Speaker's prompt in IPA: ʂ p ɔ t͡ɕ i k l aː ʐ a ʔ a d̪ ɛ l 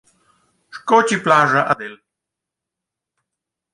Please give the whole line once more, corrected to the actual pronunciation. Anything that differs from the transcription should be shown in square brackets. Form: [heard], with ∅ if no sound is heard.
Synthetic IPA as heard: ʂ [k] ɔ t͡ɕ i [p] l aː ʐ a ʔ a d̪ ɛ l